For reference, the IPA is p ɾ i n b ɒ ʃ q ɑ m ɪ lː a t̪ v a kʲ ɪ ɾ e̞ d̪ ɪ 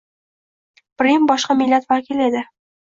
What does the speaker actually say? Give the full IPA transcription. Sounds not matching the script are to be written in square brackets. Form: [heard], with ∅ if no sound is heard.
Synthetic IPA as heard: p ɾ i [m] b ɒ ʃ q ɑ m ɪ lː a t̪ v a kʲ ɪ [l] e̞ d̪ ɪ